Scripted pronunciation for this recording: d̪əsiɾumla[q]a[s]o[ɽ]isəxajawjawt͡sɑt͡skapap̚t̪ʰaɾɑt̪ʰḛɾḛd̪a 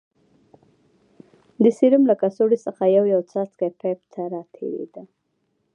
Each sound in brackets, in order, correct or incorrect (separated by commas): incorrect, correct, correct